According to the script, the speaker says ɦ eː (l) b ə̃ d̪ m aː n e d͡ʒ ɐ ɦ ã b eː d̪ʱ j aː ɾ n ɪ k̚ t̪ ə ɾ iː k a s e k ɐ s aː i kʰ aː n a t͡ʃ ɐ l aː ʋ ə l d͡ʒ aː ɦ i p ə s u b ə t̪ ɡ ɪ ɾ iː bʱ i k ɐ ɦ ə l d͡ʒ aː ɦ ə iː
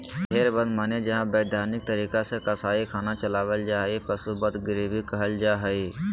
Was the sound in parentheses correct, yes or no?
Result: no